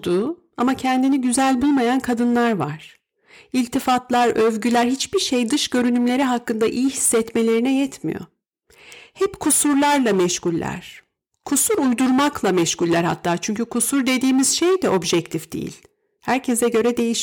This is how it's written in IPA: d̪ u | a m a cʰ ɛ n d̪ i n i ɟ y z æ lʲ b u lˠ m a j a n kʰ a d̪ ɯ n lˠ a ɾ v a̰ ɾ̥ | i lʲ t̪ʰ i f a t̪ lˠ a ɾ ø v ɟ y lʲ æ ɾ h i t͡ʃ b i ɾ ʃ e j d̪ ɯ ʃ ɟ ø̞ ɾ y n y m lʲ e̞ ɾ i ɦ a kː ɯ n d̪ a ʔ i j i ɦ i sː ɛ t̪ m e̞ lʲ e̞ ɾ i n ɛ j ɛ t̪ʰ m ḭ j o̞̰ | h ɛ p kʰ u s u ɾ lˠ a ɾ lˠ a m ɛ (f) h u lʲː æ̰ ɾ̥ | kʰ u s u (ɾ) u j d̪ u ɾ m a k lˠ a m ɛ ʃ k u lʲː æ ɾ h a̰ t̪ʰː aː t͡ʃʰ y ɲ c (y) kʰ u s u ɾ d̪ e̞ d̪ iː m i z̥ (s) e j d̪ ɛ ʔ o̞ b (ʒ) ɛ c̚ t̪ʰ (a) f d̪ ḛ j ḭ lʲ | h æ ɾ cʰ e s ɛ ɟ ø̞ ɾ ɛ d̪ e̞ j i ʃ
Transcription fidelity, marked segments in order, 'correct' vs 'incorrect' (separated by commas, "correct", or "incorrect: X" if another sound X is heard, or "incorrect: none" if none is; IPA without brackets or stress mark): incorrect: ʃ, correct, correct, incorrect: ʃ, correct, incorrect: i